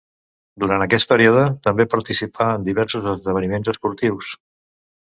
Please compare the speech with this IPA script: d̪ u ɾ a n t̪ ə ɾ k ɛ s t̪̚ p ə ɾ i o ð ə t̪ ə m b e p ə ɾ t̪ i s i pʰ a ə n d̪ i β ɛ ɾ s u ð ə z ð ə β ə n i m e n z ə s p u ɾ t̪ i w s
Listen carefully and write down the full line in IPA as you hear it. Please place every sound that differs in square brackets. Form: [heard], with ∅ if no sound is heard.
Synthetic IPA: d̪ u ɾ a n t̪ ə [∅] k ɛ s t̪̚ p ə ɾ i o ð ə t̪ ə m b e p ə ɾ t̪ i s i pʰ a ə n d̪ i β ɛ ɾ s u [z] ə z ð ə β ə n i m e n z ə s p u ɾ t̪ i w s